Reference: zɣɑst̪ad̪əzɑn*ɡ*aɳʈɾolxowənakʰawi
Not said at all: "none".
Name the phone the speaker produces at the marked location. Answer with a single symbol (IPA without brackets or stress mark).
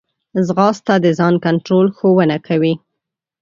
k